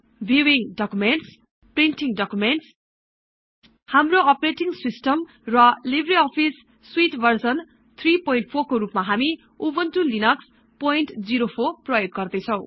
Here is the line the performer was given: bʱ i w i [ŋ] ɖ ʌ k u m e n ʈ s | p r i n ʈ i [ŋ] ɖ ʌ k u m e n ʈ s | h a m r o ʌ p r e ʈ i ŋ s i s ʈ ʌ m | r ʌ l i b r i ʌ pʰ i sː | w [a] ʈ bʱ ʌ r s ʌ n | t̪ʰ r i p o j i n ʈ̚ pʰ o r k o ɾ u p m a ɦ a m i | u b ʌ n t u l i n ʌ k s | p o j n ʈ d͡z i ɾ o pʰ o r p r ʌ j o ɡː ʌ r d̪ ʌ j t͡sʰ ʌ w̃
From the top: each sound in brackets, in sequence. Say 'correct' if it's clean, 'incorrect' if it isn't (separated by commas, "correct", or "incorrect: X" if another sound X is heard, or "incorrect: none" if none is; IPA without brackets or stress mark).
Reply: correct, correct, incorrect: i